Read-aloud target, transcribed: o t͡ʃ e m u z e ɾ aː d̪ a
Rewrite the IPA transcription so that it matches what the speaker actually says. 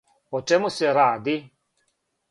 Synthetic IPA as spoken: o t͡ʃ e m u s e ɾ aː d̪ i